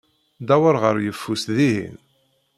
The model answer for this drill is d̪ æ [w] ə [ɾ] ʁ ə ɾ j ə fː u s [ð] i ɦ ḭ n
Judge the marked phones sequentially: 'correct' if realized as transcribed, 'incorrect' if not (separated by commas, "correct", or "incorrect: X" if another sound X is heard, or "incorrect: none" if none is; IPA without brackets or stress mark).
correct, correct, correct